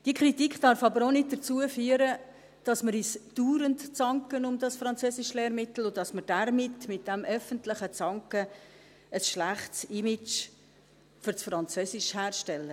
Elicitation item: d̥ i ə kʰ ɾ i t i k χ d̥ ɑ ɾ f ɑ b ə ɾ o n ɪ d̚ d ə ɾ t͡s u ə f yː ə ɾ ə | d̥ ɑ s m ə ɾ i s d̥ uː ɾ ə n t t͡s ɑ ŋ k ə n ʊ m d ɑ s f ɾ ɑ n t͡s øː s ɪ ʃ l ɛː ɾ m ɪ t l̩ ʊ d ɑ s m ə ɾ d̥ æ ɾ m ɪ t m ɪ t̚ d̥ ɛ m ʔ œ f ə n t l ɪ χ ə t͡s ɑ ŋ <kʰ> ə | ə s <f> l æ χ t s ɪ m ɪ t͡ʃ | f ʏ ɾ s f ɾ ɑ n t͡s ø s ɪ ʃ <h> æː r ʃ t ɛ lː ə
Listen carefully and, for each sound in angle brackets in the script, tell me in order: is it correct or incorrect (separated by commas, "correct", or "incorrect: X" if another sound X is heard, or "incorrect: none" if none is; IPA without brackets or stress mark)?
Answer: incorrect: k, incorrect: ʃ, correct